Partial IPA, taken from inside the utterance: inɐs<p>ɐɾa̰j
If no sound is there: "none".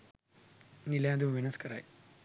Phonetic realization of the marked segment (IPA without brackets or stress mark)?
k